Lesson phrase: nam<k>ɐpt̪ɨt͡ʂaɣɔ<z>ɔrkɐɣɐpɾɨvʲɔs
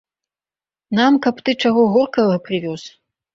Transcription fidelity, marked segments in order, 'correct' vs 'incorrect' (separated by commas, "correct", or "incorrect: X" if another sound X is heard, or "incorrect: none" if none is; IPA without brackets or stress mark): correct, incorrect: ɣ